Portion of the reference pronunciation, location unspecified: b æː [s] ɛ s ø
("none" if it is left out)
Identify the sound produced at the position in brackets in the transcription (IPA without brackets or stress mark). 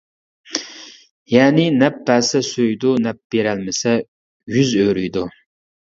s